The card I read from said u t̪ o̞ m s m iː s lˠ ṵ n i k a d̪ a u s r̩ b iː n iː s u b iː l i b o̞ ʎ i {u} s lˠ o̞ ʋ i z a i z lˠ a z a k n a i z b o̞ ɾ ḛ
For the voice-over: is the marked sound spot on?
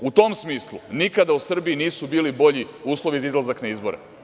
no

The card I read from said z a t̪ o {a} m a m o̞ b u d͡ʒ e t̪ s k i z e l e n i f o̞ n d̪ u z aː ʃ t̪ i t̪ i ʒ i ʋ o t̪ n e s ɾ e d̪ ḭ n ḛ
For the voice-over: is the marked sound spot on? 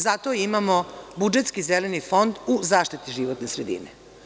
no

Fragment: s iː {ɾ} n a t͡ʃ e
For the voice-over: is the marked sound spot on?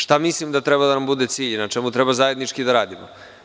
no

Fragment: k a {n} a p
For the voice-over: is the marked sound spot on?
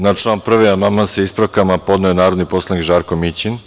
no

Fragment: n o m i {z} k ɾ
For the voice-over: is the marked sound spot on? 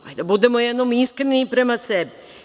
no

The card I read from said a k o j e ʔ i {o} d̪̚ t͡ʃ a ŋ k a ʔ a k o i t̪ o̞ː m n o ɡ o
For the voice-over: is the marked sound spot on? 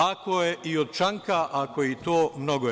yes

